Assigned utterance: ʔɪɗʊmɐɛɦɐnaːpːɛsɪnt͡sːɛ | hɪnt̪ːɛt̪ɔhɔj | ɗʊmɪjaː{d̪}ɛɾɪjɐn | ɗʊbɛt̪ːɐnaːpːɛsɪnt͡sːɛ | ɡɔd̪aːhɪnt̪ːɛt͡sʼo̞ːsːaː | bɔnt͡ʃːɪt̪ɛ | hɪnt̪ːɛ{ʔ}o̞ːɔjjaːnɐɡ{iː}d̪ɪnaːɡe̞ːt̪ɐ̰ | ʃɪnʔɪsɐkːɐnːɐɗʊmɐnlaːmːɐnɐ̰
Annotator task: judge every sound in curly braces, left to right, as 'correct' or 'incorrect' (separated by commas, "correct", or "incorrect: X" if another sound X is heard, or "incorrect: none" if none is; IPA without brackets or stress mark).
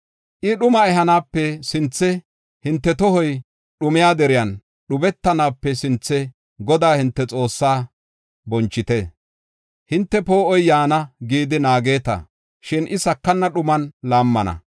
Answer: correct, incorrect: p, correct